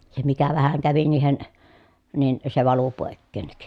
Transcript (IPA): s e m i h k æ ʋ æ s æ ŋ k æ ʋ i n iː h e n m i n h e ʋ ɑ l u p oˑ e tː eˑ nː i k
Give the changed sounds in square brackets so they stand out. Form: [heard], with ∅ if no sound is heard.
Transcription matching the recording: s e m i [∅] k æ ʋ æ [h] æ ŋ k æ ʋ i n iː h e n [n] i n [s] e ʋ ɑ l u p oˑ e [kː] eˑ nː i k

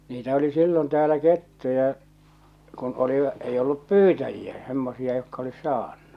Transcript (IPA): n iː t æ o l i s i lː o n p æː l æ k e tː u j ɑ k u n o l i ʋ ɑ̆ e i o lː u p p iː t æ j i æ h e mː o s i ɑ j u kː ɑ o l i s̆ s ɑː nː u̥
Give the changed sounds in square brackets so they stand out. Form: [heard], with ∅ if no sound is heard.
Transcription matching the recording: n iː t æ o l i s i lː o n [t] æː l æ k e tː u j ɑ k u n o l i ʋ ɑ̆ e i o lː u p p [yː] t æ j i æ [s] e mː o s i ɑ j [o] kː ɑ o l i s̆ s ɑː nː u̥

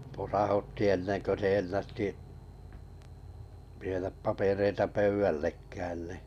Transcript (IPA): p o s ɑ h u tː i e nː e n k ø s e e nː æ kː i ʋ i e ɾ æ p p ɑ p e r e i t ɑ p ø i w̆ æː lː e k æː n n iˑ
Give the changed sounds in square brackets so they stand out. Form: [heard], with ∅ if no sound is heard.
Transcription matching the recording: p o s ɑ h u tː i e nː e n k ø s e e nː æ [tː] i ʋ i e ɾ æ p p ɑ p e r e i t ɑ p ø [y] w̆ [æ] lː e k æː n n iˑ

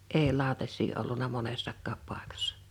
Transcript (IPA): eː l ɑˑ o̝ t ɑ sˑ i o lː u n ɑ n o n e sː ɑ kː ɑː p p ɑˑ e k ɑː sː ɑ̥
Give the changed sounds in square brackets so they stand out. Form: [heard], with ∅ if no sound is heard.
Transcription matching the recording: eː l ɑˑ o̝ t ɑ sˑ [iː] o lː u n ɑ [m] o n e sː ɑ kː ɑː p p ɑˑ e k [ɑ] sː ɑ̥

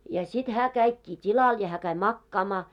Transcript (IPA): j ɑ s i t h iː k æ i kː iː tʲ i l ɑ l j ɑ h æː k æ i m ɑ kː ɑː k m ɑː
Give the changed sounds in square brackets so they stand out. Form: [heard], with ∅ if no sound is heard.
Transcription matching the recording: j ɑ s i t h [æː] k æ i kː iː tʲ i l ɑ l j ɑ h æː k æ i m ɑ kː ɑː [∅] m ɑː

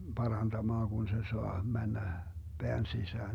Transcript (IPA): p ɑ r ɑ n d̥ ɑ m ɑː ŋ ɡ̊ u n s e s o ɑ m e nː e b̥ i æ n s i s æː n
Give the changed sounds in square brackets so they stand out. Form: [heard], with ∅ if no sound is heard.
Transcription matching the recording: p ɑ r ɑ n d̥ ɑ m ɑː ŋ ɡ̊ u n s e s o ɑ m [æ] nː [æ] b̥ [e] æ n s i s æː n

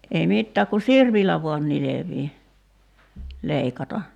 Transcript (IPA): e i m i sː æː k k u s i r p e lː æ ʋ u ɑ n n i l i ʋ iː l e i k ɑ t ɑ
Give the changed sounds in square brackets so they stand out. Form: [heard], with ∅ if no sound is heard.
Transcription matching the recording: e i m i [tː] æː k k u s i r p [i] lː æ ʋ u ɑ n n i l [e] ʋ iː l e i k ɑ t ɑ

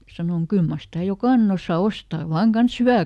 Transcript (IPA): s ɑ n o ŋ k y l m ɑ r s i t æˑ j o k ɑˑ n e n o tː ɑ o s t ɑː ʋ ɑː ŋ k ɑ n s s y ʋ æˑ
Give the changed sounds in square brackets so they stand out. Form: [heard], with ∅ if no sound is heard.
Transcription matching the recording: s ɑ n o ŋ k y l m ɑ r s i t æˑ j o k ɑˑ n e n o [sː] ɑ o s t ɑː ʋ ɑː ŋ k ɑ n s [h] y ʋ æˑ

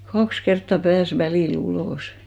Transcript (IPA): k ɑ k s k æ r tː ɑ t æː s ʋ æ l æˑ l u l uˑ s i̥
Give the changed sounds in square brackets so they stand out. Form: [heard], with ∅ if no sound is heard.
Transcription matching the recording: k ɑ k s k [e] r tː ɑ [p] æː s ʋ æ l [iˑ] l u l [oˑ] s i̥

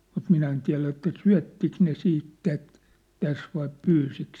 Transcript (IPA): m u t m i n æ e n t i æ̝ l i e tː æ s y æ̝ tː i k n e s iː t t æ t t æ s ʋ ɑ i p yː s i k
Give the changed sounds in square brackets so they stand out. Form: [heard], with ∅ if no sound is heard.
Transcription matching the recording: m u t m i n æ e n t i æ̝ l [æ] e tː æ s y æ̝ tː i k n e s iː t t æ t t æ s ʋ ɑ i p yː s i k

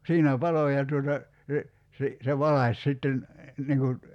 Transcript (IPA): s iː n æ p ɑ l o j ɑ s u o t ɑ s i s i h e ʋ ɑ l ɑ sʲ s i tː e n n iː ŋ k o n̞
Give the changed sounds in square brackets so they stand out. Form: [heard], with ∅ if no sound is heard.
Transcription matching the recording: s iː n æ p ɑ l o j ɑ [t] u o t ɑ s [e] s i [s] e ʋ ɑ l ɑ sʲ s i tː e n n [i] ŋ k [u] n̞

